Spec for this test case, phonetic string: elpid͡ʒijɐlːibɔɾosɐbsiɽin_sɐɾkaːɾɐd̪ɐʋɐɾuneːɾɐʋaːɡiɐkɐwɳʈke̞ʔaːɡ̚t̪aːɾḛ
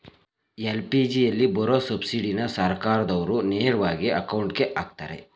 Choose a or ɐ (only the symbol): ɐ